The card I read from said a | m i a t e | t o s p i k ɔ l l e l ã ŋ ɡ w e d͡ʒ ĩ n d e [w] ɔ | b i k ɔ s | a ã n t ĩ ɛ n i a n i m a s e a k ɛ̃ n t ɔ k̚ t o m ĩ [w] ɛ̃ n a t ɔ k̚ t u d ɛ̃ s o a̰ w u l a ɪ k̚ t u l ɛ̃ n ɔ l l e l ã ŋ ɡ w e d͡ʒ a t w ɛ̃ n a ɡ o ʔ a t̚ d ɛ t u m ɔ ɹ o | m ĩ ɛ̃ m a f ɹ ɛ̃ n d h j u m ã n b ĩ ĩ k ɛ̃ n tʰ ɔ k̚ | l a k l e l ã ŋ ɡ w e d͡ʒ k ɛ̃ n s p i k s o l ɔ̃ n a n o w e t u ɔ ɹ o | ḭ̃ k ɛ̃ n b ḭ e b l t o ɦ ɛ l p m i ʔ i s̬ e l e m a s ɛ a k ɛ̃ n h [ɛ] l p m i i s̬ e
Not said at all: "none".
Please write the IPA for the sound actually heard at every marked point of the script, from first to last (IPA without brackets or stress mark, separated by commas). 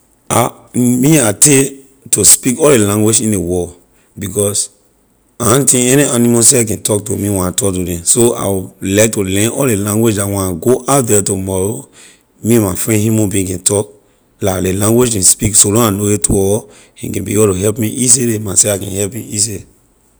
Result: w, w, ɛ